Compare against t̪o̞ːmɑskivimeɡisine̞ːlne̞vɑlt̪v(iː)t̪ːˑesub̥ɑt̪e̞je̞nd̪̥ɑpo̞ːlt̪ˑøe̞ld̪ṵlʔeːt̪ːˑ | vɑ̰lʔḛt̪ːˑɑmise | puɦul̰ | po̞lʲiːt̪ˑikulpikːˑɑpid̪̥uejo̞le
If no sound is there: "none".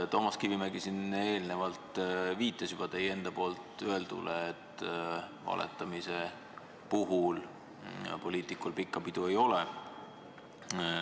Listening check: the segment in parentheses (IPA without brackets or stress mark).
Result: iː